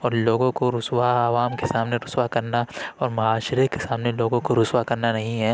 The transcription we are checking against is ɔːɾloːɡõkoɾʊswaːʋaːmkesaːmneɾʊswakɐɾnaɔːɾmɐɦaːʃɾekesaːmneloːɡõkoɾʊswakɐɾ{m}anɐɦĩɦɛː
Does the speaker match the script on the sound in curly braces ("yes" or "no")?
no